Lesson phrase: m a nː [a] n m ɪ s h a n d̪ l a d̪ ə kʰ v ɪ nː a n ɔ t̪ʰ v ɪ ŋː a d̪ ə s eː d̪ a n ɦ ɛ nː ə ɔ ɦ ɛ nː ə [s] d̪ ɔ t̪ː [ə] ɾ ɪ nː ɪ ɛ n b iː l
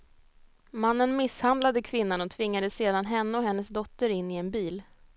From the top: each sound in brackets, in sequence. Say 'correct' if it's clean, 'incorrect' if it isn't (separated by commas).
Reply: incorrect, correct, correct